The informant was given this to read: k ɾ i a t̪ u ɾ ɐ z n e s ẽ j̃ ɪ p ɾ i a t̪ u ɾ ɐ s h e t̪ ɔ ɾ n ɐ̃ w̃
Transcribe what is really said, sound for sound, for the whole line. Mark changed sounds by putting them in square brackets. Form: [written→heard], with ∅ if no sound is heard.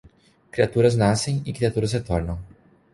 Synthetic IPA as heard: k ɾ i a t̪ u ɾ ɐ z n [e→a] s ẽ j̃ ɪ [p→k] ɾ i a t̪ u ɾ ɐ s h e t̪ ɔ ɾ n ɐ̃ w̃